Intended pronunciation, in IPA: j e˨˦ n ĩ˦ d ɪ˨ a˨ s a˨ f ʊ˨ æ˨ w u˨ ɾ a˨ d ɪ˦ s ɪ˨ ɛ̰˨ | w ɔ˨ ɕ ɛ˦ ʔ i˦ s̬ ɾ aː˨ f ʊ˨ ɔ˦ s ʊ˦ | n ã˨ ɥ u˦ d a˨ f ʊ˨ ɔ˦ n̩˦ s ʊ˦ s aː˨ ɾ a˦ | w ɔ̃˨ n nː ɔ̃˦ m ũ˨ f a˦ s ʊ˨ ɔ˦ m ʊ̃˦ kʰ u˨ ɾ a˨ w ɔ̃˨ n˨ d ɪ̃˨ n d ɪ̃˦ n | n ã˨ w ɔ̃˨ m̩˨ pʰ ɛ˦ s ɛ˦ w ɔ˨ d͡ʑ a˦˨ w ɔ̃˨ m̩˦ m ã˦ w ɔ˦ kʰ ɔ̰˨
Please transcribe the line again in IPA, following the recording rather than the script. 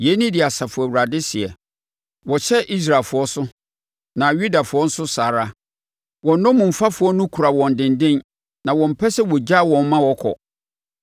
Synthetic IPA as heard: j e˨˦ n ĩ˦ d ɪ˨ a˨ s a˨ f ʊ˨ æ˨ w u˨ ɾ a˨ d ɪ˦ s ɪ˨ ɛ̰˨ | w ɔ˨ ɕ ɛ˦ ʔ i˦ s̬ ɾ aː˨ f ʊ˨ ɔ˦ s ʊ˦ | n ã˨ ɥ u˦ d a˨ f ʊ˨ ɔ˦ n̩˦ s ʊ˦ s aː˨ ɾ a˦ | w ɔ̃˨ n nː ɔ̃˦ m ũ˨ f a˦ f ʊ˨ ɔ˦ n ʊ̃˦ kʰ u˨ ɾ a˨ w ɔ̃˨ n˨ d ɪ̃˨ n d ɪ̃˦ n | n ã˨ w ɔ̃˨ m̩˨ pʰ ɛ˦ s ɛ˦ w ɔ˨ d͡ʑ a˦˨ w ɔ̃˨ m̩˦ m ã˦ w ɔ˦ kʰ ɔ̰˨

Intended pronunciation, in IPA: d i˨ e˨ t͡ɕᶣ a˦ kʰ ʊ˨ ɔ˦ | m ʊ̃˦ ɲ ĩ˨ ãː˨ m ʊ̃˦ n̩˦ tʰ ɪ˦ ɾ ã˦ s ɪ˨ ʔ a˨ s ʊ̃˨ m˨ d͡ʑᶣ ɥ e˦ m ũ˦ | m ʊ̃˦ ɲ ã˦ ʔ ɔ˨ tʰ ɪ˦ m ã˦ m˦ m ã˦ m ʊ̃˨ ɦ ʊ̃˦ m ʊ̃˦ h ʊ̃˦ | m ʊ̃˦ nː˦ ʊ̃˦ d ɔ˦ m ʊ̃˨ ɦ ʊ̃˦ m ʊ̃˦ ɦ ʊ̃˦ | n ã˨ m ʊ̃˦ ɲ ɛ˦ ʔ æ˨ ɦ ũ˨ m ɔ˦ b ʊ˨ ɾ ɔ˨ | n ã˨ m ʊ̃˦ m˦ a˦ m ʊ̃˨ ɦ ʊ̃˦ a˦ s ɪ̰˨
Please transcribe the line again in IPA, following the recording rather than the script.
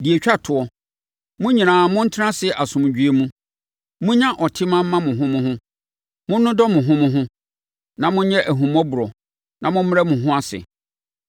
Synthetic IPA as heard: d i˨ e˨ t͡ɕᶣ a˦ tʰ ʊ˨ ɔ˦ | m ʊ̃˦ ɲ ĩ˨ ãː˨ m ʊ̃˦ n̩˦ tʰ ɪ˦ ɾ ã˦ s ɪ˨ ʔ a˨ s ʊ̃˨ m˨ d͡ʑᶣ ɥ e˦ m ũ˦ | m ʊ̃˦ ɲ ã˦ ʔ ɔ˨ tʰ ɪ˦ m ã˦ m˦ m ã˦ m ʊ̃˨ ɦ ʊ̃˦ m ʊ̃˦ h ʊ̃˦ | m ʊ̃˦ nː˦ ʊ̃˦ d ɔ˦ m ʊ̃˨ ɦ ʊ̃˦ m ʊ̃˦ ɦ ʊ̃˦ | n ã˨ m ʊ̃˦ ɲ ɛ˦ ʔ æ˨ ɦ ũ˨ m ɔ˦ b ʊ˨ ɾ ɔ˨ | n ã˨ m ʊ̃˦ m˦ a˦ m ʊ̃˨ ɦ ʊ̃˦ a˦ s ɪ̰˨

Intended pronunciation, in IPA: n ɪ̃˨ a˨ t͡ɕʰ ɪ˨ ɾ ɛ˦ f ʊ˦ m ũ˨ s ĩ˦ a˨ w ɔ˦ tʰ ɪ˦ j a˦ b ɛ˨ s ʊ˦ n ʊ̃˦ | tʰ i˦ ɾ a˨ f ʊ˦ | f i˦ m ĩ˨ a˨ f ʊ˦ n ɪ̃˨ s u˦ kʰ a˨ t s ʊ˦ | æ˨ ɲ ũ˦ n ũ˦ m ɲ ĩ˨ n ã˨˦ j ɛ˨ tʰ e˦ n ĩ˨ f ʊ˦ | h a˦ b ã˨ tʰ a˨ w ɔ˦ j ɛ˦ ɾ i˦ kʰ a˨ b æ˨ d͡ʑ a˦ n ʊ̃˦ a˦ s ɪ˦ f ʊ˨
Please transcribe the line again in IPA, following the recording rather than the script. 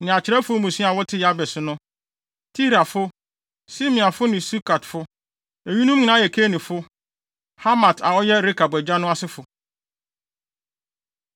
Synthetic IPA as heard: n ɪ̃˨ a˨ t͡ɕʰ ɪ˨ ɾ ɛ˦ f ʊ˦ m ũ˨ s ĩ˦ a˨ w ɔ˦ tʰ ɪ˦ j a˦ b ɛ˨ s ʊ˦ n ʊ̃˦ | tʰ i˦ ɾ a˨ f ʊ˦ | s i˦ m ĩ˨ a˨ f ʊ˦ n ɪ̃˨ s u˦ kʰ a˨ t f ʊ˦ | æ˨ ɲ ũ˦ n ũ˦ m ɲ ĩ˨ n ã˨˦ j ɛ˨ kʰ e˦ n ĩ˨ f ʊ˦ | h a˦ m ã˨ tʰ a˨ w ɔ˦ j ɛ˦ ɾ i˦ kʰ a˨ b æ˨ d͡ʑ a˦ n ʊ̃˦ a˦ s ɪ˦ f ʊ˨

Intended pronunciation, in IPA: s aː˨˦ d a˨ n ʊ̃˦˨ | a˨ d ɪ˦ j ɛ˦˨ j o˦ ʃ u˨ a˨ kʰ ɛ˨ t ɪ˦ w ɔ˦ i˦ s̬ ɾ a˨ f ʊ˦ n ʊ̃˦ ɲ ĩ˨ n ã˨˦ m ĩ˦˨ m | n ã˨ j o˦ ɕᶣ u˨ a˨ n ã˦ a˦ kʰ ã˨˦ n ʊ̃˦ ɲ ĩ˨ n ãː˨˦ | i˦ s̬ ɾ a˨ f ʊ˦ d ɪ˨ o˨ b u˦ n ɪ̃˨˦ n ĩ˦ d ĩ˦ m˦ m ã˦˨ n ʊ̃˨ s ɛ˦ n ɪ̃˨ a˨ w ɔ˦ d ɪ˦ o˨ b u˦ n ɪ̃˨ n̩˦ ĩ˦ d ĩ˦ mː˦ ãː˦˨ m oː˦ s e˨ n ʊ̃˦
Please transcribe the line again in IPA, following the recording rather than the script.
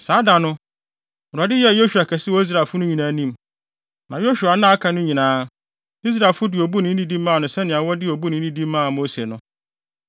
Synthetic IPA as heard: s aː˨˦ d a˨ n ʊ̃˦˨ | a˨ d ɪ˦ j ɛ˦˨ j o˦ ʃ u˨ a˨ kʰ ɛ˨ s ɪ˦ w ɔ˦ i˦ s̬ ɾ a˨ f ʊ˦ n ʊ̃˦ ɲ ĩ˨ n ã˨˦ n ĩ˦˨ m | n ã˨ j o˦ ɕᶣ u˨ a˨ n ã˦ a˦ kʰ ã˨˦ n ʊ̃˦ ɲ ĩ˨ n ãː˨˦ | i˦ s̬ ɾ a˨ f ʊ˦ d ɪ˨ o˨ b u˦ n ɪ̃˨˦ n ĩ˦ d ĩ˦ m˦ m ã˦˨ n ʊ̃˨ s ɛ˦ n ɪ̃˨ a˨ w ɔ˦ d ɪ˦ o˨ b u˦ n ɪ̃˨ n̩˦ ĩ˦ d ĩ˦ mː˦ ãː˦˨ m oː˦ s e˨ n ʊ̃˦

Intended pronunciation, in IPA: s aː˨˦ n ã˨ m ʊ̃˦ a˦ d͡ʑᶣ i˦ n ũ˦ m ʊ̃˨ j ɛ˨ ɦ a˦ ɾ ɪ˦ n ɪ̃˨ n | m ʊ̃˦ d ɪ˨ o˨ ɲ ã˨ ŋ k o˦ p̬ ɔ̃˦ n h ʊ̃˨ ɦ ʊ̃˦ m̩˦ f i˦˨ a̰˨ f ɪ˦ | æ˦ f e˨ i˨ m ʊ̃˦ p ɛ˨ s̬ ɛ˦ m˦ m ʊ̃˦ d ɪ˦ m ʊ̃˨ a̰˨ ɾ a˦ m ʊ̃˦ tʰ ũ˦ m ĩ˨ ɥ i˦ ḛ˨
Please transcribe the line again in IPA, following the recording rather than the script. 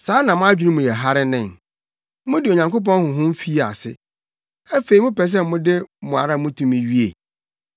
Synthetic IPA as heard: s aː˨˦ n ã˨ m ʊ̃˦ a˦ d͡ʑᶣ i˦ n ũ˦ m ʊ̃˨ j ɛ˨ ɦ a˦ ɾ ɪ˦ n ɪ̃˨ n | m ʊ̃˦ d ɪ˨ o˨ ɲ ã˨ ŋ k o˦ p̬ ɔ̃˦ n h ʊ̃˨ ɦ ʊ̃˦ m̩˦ f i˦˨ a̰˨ s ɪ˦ | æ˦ f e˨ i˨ m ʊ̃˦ p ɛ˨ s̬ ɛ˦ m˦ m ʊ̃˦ d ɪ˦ m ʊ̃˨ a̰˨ ɾ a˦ m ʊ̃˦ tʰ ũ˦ m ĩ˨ ɥ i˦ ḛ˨

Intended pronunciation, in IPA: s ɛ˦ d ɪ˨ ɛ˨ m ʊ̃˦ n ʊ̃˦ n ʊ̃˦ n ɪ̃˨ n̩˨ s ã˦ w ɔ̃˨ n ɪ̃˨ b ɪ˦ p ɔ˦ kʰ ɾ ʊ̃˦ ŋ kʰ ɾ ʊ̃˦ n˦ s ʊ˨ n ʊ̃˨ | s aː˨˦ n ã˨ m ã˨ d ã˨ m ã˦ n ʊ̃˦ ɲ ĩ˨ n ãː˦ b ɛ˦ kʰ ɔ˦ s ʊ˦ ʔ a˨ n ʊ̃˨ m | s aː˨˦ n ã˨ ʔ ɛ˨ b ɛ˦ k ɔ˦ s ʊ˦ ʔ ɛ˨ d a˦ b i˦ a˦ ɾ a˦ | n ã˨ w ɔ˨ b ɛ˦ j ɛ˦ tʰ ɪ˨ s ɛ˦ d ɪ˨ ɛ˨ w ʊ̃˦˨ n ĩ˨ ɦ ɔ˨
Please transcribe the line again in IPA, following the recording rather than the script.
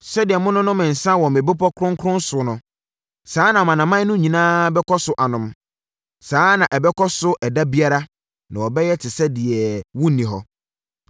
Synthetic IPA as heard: s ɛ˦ d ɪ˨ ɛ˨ m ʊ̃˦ n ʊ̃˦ n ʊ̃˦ m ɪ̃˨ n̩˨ s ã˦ w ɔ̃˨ m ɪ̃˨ b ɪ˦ p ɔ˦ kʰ ɾ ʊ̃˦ ŋ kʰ ɾ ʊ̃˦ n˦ s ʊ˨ n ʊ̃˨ | s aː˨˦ n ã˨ m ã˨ n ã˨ m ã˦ n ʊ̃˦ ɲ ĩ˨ n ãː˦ b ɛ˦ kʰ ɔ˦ s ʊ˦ ʔ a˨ n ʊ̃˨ m | s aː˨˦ n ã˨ ʔ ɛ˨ b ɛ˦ k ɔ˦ s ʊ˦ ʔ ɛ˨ d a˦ b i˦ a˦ ɾ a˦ | n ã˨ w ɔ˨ b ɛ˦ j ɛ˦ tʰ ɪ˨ s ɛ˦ d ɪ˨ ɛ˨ w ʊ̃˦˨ n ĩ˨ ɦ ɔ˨

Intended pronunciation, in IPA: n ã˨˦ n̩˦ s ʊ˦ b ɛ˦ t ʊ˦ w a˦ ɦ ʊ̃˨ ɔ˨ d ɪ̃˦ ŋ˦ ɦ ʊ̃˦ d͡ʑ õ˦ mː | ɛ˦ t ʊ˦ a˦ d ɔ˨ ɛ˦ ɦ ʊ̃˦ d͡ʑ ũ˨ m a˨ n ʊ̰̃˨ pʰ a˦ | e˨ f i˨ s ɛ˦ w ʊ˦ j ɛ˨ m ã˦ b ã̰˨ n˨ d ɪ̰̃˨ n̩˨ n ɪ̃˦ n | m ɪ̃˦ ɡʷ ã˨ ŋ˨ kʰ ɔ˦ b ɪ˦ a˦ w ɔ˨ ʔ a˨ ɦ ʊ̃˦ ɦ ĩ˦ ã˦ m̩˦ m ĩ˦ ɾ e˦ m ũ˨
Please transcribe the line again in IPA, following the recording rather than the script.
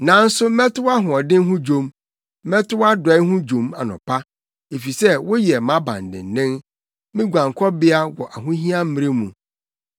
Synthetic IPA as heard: n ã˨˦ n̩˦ s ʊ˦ m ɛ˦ t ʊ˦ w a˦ ɦ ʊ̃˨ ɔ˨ d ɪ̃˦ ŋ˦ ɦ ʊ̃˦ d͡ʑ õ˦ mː | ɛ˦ t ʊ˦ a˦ d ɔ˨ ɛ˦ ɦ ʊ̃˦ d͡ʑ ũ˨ m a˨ n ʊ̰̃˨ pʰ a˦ | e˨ f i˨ s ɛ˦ w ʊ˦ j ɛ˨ m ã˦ b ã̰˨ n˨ d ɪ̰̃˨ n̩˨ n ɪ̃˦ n | m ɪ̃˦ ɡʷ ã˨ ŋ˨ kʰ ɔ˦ b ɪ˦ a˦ w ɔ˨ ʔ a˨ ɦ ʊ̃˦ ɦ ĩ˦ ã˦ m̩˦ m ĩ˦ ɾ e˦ m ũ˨

